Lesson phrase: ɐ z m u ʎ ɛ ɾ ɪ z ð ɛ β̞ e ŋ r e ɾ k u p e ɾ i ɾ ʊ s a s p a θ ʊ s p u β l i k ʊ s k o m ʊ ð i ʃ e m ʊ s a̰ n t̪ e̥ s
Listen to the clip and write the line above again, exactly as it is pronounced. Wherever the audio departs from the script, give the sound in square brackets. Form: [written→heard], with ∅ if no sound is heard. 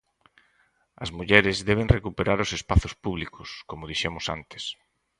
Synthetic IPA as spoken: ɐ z m u ʎ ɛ ɾ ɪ z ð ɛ β̞ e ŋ r e [ɾ→∅] k u p e ɾ [i→a] ɾ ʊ s [a→e] s p a θ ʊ s p u β l i k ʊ s k o m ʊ ð i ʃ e m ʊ s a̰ n t̪ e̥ s